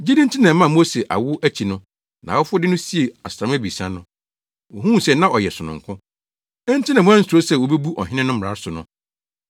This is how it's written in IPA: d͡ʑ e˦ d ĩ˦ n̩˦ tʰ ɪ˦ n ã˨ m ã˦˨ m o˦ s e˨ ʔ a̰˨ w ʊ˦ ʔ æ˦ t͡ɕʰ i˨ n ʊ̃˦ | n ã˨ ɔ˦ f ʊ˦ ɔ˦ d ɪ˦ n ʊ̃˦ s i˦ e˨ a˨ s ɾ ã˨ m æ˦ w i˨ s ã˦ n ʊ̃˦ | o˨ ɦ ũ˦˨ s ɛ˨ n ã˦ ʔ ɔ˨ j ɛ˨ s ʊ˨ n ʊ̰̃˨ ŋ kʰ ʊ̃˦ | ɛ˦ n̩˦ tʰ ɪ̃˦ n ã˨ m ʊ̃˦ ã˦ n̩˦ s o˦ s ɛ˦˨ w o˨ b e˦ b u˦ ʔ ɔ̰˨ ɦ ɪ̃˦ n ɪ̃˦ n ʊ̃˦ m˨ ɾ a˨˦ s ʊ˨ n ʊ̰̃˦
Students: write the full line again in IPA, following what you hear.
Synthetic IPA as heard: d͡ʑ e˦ d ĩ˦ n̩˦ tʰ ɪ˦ n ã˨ m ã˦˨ m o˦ s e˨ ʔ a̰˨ w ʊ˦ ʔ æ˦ t͡ɕʰ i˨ n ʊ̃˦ | n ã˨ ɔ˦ f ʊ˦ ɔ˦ d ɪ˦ n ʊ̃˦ s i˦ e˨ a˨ s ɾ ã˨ m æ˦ b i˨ s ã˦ n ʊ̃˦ | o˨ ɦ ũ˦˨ s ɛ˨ n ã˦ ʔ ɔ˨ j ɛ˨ s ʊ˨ n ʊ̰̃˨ ŋ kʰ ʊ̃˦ | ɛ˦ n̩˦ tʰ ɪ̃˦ n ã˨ m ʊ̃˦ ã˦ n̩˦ s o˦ s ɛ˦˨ w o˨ b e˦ b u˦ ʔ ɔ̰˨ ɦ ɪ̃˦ n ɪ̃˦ n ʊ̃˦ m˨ ɾ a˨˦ s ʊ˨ n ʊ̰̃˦